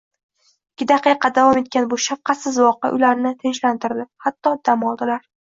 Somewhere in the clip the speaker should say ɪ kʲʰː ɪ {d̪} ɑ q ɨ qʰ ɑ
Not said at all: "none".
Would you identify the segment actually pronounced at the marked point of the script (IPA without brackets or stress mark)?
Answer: d̪